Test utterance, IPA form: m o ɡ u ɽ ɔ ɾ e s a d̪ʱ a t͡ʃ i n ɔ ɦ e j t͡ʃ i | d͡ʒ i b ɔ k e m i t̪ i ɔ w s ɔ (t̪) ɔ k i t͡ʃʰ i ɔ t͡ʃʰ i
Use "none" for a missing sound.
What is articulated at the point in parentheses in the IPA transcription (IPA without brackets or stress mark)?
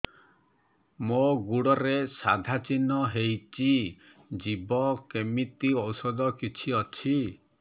d̪